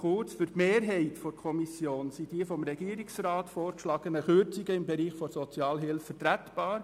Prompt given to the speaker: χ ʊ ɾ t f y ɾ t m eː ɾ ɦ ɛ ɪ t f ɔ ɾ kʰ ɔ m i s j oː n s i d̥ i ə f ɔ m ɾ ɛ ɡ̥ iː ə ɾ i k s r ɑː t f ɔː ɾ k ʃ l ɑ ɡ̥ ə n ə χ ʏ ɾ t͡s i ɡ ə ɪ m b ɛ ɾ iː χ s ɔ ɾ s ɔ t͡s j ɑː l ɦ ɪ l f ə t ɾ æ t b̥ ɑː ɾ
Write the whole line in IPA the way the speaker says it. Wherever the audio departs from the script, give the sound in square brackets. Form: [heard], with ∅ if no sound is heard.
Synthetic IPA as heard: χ ʊ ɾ [t͡s] f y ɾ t m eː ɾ ɦ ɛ ɪ t f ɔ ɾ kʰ ɔ m i s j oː n s i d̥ i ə f ɔ m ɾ ɛ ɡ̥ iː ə ɾ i k s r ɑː t f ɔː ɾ k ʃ l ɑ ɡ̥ ə n ə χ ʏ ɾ t͡s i ɡ ə ɪ m b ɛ ɾ iː χ [f] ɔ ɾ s ɔ t͡s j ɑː l ɦ ɪ l f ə t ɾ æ t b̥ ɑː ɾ